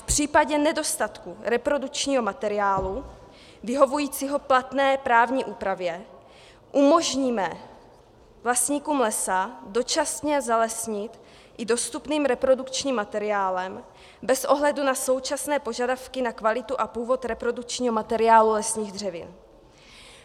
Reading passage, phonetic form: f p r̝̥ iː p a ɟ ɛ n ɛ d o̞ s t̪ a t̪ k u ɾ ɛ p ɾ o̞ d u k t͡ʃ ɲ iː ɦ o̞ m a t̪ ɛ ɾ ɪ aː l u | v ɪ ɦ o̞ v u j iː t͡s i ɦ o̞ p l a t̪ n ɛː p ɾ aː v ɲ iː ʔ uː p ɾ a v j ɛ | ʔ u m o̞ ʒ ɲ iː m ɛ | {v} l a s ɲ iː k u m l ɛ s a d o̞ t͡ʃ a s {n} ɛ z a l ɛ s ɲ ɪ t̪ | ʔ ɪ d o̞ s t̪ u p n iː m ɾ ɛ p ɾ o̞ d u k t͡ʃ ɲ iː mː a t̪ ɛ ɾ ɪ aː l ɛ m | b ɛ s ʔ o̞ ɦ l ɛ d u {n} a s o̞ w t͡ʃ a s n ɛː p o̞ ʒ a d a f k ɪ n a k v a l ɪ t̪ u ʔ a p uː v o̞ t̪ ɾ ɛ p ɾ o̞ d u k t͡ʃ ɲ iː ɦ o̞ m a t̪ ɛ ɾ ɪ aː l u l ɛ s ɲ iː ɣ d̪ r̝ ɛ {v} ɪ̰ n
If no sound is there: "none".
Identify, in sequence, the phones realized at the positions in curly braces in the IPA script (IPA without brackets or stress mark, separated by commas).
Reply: v, ɲ, n, v